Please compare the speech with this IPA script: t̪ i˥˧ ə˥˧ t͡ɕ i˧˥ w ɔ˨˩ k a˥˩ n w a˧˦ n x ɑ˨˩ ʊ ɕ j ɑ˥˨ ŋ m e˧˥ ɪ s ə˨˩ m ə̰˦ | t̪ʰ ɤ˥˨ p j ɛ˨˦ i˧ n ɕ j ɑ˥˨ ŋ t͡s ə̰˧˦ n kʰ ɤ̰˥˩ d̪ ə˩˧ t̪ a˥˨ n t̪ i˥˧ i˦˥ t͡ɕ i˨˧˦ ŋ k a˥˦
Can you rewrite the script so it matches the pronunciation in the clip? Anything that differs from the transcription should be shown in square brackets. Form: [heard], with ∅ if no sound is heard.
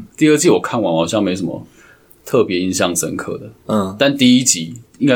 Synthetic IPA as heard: t̪ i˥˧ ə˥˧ t͡ɕ [i˥˨] w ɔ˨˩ [kʰ] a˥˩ n w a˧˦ n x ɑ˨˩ ʊ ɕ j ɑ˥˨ ŋ m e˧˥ ɪ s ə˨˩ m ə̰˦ | t̪ʰ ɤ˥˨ p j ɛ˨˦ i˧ n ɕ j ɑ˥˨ ŋ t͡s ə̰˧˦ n kʰ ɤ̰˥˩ d̪ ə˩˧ t̪ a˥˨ n t̪ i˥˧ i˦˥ t͡ɕ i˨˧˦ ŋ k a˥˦